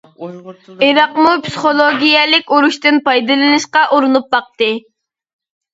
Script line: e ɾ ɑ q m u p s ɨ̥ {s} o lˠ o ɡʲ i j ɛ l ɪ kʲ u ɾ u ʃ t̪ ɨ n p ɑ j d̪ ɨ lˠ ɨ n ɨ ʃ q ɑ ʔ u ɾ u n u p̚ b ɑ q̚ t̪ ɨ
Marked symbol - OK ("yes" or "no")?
no